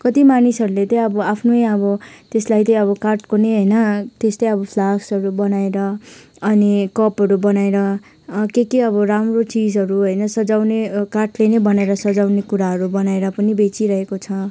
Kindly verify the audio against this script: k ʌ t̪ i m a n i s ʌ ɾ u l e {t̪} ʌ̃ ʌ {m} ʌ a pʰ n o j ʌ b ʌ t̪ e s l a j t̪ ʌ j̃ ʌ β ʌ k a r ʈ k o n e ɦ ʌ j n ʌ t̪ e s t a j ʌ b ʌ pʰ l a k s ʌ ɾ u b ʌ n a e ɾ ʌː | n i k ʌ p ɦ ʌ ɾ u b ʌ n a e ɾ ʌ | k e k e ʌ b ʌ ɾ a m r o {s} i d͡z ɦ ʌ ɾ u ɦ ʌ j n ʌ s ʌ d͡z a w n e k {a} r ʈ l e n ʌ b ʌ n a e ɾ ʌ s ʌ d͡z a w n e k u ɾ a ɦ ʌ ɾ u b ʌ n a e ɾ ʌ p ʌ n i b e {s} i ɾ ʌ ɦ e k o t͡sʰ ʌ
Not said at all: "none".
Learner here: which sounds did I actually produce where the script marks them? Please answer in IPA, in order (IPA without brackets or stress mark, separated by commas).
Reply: t̪, b, t͡s, a, t͡s